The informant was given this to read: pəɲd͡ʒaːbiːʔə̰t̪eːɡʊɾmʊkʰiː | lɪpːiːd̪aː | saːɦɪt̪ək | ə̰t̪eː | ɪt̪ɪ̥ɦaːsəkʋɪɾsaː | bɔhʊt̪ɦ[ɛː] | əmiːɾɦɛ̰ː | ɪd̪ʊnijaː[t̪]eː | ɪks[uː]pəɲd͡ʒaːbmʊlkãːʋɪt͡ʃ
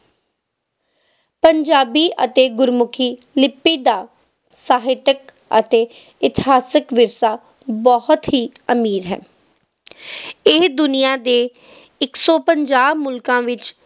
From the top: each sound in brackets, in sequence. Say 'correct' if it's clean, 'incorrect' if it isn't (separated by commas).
incorrect, incorrect, incorrect